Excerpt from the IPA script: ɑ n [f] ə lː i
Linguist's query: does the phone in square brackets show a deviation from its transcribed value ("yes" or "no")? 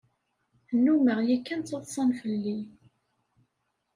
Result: no